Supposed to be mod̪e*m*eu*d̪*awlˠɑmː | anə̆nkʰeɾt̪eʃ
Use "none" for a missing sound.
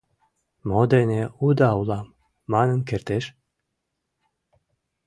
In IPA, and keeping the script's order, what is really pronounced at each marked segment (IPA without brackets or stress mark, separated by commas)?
n, d̪